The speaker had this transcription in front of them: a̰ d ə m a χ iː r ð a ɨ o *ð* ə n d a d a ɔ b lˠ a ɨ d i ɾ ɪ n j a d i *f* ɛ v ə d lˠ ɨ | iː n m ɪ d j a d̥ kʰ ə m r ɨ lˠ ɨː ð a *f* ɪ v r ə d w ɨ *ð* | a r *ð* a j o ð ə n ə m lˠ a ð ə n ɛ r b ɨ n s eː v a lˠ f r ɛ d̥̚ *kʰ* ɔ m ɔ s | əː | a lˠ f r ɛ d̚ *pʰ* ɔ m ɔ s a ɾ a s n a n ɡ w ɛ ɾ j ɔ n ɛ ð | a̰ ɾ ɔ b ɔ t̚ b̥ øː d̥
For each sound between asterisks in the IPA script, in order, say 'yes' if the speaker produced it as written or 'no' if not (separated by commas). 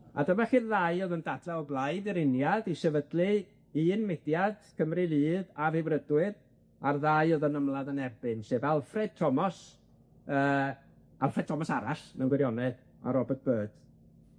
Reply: yes, no, no, yes, yes, no, no